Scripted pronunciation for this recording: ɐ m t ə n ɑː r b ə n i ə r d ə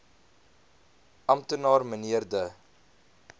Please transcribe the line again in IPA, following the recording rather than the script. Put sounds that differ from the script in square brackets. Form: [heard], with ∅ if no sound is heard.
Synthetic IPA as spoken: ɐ m t ə n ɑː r [m] ə n i ə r d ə